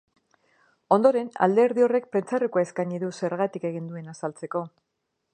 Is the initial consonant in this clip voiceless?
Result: no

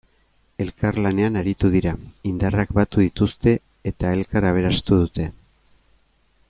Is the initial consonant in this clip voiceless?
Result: no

